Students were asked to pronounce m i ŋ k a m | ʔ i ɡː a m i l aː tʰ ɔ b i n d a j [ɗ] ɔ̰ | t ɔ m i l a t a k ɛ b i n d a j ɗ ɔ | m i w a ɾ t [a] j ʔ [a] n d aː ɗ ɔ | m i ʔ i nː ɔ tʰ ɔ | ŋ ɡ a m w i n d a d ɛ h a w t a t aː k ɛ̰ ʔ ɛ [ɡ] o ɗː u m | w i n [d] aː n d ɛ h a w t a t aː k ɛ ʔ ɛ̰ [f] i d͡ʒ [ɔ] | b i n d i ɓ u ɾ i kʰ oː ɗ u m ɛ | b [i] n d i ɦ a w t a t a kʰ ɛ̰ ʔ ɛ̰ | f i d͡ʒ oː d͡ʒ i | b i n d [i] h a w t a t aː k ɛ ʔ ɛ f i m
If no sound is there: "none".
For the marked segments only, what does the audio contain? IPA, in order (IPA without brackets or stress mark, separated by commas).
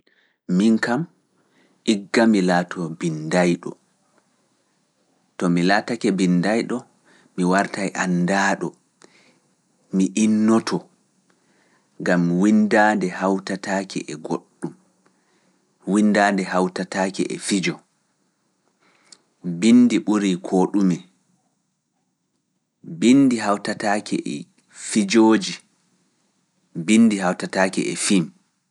ɗ, a, a, ɡ, d, f, ɔ, i, i